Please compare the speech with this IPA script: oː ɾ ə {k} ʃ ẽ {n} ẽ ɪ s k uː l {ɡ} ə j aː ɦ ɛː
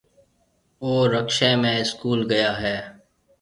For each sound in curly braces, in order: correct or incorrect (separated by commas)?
correct, incorrect, correct